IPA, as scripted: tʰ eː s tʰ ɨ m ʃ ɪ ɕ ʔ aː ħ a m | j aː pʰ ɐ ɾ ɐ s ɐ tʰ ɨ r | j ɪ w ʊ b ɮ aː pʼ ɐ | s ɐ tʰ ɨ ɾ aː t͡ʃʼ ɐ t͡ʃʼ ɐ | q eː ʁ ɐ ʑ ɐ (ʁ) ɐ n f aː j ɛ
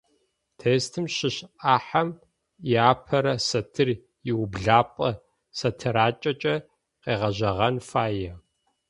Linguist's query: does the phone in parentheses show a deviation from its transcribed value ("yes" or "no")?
no